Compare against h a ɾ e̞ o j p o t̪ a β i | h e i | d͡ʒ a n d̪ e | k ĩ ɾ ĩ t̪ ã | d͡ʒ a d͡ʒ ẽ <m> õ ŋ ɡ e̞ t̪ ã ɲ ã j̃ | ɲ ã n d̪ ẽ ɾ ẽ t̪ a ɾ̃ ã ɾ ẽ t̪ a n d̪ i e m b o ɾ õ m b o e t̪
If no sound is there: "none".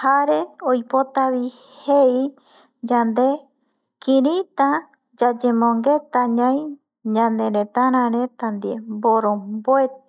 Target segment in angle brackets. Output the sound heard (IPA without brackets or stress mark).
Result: m